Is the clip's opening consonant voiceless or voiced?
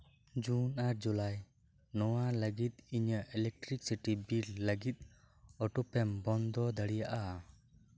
voiced